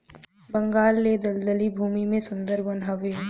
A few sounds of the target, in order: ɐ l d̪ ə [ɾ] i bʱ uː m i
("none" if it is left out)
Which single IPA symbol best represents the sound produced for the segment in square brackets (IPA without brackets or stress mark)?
l